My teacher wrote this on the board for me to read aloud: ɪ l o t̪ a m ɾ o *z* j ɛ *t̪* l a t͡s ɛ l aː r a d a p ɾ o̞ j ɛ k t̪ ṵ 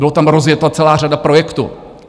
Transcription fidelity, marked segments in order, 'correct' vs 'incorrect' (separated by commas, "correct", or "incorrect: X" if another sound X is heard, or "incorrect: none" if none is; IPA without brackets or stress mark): correct, correct